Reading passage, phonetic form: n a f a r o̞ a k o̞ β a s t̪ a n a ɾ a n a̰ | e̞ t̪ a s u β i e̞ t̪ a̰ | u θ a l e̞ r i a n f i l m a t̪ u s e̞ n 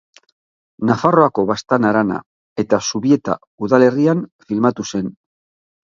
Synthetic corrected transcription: n a f a r o̞ a k o̞ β a s t̪ a n a ɾ a n a̰ | e̞ t̪ a s u β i e̞ t̪ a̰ | u ð a l e̞ r i a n f i l m a t̪ u s e̞ n